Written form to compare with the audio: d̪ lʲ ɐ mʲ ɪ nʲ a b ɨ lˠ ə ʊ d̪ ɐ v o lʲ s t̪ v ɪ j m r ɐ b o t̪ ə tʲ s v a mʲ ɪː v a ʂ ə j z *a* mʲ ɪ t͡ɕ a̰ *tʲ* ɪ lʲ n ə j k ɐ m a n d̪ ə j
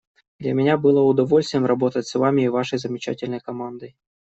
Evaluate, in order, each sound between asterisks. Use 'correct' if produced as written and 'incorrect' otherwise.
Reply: incorrect: ə, correct

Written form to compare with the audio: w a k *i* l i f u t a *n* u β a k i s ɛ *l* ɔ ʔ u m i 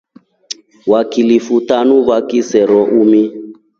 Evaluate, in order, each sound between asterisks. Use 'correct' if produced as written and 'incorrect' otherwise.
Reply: correct, correct, incorrect: ɾ

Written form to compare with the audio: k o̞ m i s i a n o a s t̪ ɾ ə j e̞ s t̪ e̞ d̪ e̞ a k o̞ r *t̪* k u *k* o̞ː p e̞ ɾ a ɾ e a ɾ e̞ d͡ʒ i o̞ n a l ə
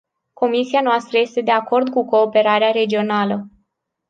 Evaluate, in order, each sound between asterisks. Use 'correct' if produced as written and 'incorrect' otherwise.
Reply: incorrect: d̪, correct

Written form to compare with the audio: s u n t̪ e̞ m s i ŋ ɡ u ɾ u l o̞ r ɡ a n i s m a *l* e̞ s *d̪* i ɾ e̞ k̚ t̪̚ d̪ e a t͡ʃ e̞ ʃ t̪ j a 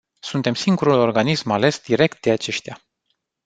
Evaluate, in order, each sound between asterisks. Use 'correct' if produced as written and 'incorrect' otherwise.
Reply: correct, correct

